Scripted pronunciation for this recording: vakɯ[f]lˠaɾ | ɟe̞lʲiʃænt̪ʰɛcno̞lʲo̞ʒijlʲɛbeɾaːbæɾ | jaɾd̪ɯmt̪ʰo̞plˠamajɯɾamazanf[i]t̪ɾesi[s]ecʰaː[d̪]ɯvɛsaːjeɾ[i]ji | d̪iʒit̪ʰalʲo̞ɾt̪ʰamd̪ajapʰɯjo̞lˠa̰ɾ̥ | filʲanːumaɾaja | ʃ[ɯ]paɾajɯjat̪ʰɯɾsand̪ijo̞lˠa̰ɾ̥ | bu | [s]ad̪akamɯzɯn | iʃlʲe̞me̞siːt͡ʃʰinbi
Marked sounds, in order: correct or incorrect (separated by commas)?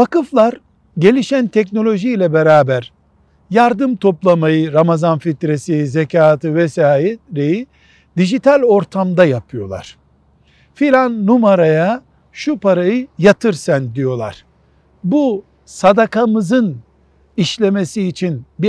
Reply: correct, correct, incorrect, incorrect, incorrect, incorrect, correct